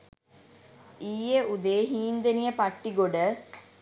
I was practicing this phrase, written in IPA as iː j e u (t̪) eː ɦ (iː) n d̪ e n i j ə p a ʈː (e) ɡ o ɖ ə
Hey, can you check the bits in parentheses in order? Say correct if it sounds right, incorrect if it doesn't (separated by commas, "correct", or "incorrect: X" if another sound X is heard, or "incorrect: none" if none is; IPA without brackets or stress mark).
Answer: incorrect: d̪, correct, incorrect: i